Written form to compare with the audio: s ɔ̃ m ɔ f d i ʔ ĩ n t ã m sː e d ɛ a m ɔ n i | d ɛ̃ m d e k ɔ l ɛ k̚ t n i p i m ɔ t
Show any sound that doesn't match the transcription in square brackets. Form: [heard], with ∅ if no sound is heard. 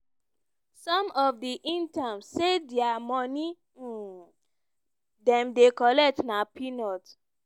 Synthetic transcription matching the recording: s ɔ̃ m ɔ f d i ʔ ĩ n t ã m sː e d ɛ a m ɔ n i | d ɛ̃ m d e k ɔ l ɛ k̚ t n [a] p i [n] ɔ t